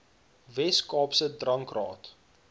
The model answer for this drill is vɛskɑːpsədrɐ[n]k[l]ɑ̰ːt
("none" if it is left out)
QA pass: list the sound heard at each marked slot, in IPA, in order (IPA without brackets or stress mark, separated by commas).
ŋ, r